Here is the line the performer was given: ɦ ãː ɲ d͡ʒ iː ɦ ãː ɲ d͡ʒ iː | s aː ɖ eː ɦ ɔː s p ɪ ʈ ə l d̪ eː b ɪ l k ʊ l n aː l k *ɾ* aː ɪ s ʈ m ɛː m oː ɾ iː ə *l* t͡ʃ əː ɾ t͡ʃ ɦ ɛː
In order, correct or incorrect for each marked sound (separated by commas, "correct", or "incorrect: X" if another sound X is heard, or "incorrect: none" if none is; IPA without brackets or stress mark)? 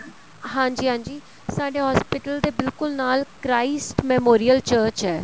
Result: correct, correct